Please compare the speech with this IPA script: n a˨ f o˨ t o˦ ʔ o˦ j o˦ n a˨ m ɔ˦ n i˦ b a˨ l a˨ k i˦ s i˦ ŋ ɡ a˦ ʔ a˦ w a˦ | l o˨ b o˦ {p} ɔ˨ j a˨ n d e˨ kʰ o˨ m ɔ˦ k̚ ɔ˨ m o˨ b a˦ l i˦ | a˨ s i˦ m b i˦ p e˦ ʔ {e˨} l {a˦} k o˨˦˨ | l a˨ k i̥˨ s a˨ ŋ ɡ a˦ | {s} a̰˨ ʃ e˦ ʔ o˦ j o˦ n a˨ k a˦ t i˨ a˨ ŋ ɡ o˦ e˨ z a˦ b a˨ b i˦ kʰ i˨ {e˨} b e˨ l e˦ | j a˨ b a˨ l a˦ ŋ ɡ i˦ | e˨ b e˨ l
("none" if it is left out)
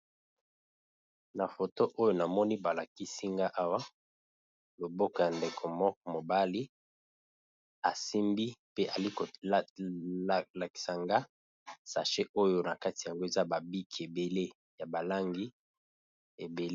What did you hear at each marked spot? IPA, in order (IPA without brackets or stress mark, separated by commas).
k, a˨, i˦, s, e˨